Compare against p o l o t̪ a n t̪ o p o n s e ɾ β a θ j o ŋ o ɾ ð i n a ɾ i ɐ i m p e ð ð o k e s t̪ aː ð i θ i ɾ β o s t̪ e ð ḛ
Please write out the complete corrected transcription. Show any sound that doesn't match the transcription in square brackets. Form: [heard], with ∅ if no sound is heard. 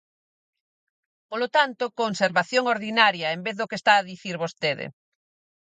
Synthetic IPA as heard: p o l o t̪ a n t̪ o [k] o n s e ɾ β a θ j o ŋ o ɾ ð i n a ɾ [j] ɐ [e] m [b] e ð ð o k e s t̪ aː ð i θ i ɾ β o s t̪ e ð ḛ